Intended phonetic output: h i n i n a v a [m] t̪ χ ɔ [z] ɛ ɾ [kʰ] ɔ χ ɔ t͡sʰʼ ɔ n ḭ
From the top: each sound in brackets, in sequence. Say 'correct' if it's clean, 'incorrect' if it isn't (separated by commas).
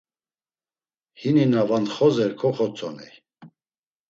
incorrect, correct, correct